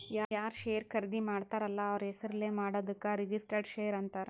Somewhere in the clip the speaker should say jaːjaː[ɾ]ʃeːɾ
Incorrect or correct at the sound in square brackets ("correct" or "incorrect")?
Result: correct